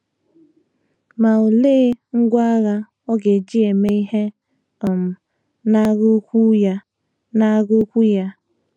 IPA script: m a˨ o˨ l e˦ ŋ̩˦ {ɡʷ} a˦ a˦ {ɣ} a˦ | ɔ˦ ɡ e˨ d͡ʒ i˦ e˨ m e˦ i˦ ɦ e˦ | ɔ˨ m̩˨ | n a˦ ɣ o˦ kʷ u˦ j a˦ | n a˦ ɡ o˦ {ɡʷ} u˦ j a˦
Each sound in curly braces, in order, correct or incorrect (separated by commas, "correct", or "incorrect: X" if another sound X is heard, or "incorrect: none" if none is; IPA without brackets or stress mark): correct, correct, incorrect: kʷ